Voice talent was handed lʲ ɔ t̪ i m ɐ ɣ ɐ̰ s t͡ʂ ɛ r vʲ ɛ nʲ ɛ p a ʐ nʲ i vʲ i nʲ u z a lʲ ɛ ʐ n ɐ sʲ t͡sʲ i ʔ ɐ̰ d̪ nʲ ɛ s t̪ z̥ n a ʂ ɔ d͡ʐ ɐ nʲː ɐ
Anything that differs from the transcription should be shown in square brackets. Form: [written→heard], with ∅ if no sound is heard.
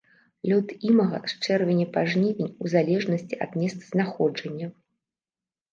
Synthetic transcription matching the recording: lʲ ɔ t̪ i m ɐ ɣ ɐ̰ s t͡ʂ ɛ r vʲ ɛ nʲ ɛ p a ʐ nʲ i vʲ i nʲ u z a lʲ ɛ ʐ n ɐ sʲ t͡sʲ i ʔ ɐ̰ d̪ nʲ ɛ s t̪ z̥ n a [ʂ→x] ɔ d͡ʐ ɐ nʲː ɐ